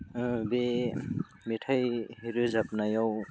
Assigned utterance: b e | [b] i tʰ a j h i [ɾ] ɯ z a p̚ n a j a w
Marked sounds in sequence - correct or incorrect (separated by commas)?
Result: incorrect, correct